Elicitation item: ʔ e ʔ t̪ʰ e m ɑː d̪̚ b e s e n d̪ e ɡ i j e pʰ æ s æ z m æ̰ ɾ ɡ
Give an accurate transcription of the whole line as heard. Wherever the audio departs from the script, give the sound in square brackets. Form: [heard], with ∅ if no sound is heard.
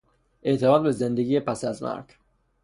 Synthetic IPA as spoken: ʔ e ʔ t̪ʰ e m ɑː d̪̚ b e [z] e n d̪ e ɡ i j e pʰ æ s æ z m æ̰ ɾ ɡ

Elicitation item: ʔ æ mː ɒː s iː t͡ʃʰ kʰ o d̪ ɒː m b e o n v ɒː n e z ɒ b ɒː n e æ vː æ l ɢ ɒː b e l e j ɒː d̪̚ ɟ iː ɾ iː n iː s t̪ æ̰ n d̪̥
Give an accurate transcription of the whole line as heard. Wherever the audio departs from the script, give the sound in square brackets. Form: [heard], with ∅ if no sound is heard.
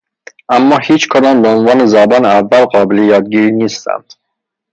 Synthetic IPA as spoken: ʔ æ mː ɒː [h] iː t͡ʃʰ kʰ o d̪ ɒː m b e o n v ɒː n e z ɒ b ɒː n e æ vː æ l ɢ ɒː b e l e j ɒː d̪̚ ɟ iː ɾ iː n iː s t̪ æ̰ n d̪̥

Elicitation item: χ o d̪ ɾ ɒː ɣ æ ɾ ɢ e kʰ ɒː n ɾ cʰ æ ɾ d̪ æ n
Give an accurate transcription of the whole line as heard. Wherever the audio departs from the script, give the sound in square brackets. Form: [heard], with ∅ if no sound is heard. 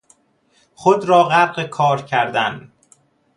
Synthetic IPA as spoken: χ o d̪ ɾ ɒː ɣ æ ɾ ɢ e kʰ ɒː [∅] ɾ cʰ æ ɾ d̪ æ n

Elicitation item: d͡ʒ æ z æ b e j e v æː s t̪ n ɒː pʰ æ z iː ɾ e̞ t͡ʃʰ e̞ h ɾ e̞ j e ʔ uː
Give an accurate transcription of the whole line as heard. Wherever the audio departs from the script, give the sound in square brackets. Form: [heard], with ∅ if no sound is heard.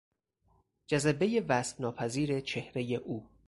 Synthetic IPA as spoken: d͡ʒ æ z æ b e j e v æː s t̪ n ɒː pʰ æ z iː ɾ e̞ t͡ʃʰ e̞ h ɾ e̞ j e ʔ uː

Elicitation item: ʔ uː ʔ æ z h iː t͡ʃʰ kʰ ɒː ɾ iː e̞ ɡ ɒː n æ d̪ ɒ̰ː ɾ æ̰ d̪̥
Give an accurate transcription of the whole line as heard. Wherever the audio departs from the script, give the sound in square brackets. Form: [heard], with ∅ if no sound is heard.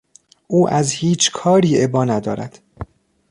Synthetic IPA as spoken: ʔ uː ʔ æ z h iː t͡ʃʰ kʰ ɒː ɾ iː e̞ [b] ɒː n æ d̪ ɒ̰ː ɾ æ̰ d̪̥

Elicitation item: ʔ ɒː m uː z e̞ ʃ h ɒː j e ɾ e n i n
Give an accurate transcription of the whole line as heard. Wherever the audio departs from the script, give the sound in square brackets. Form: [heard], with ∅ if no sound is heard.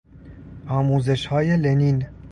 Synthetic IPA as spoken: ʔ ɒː m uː z e̞ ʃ h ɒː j e [l] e n i n

